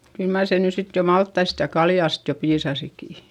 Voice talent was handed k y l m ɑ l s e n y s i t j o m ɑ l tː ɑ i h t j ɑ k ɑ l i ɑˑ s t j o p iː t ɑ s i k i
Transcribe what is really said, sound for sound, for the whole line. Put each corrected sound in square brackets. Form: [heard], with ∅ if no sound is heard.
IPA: k y l m ɑ [r] s e n y s i t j o m ɑ l tː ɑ i [s] t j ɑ k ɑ l [j] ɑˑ s t j o p iː [s] ɑ s i k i